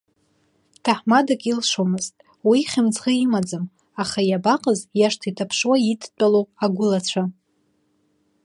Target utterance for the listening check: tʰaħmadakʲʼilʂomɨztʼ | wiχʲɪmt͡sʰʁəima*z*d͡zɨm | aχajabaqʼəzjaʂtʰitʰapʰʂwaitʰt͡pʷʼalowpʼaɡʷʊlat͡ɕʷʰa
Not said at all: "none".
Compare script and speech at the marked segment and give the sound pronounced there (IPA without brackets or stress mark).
none